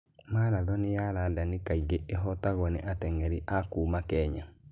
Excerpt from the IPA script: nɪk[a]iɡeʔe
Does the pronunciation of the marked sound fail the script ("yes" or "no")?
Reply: no